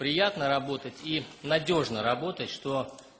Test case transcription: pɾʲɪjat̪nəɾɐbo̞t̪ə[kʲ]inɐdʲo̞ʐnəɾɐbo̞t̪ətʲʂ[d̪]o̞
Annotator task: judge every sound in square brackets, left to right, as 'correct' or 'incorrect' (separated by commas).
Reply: incorrect, incorrect